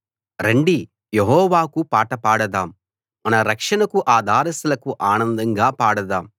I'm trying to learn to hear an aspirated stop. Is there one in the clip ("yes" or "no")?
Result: no